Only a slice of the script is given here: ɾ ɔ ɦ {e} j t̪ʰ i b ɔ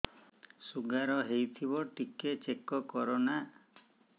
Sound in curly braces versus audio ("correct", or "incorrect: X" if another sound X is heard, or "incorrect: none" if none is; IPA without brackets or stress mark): correct